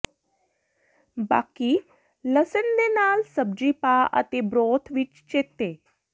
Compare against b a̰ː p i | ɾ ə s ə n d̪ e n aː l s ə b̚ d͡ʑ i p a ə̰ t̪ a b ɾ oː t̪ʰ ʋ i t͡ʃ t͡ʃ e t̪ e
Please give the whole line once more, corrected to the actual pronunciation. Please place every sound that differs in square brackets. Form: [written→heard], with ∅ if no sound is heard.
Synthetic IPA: b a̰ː [p→k] i | [ɾ→l] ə s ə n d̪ e n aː l s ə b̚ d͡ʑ i p a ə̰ t̪ [a→e] b ɾ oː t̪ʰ ʋ i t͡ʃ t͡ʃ e t̪ e